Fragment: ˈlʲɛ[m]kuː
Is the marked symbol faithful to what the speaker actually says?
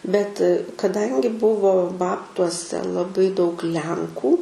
no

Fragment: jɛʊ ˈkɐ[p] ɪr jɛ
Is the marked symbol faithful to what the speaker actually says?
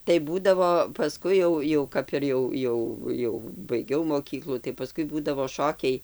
yes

